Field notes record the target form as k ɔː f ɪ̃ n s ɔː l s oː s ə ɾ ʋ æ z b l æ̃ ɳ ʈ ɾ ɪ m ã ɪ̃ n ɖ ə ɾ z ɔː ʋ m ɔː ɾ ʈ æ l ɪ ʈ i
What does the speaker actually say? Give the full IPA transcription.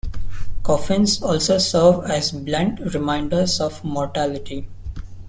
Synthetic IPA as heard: k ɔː f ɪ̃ n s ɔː l s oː s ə ɾ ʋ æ z b l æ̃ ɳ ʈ ɾ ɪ m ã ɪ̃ ɳ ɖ ə ɾ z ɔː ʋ m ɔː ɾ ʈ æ l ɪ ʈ i